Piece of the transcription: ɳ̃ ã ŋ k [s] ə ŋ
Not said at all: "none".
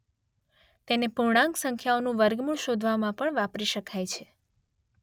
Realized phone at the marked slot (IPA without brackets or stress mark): s